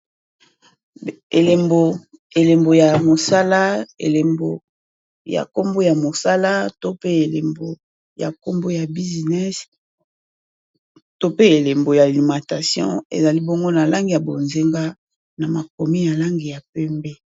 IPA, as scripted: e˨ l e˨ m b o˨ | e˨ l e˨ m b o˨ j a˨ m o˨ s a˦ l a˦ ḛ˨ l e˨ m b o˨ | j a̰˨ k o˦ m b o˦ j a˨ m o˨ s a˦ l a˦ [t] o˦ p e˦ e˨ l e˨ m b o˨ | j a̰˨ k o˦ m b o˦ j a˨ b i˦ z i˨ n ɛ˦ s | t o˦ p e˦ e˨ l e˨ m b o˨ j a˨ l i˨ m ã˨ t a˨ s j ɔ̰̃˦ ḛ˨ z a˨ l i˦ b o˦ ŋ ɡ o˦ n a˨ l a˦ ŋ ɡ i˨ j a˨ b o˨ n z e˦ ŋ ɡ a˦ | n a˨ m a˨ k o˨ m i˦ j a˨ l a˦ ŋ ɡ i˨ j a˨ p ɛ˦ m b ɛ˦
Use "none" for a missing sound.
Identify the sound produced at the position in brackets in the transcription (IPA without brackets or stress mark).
t